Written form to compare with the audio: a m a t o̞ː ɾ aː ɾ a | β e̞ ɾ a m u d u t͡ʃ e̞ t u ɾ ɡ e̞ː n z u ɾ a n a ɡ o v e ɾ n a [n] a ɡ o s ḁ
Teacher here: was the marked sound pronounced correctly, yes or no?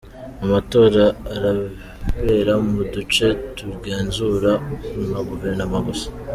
no